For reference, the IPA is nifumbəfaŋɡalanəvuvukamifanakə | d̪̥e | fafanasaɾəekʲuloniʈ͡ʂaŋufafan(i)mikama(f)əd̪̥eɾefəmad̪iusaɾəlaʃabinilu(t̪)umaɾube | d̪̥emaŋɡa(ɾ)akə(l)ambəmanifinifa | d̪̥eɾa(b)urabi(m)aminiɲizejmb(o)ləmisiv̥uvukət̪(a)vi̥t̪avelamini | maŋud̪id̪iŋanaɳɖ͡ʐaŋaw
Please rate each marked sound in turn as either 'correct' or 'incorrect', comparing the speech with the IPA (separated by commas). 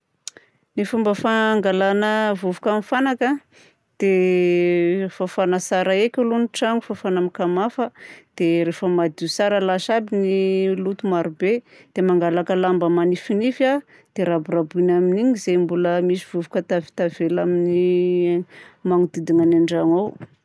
incorrect, correct, correct, incorrect, correct, correct, incorrect, incorrect, correct